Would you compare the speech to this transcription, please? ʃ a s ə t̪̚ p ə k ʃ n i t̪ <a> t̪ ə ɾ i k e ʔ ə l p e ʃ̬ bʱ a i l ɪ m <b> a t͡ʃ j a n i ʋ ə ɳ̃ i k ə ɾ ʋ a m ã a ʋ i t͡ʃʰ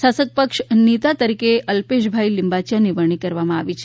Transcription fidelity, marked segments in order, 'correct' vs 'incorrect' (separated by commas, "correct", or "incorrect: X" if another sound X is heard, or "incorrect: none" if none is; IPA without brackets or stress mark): correct, correct